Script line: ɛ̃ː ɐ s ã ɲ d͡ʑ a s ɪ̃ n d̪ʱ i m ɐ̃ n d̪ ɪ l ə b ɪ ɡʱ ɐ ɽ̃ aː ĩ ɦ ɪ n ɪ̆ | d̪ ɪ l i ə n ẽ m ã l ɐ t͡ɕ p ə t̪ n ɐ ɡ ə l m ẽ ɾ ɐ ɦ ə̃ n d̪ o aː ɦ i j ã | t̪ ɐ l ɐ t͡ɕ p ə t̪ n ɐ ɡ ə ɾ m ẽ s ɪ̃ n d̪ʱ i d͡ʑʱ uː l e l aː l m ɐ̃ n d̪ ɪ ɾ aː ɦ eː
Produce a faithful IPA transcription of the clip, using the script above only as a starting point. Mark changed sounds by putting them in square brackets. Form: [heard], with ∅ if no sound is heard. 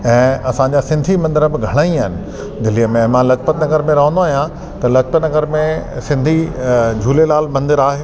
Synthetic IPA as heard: ɛ̃ː ɐ s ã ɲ d͡ʑ a s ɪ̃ n d̪ʱ i m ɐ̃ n d̪ ɪ [ɾ] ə b ɪ ɡʱ ɐ ɽ̃ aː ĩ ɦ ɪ n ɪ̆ | d̪ ɪ l i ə [m] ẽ m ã l ɐ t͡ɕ p ə t̪ n ɐ ɡ ə [ɾ] m ẽ ɾ ɐ ɦ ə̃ n d̪ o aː ɦ i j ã | t̪ ɐ l ɐ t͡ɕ p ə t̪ n ɐ ɡ ə ɾ m ẽ s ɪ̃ n d̪ʱ i d͡ʑʱ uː l e l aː l m ɐ̃ n d̪ ɪ ɾ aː ɦ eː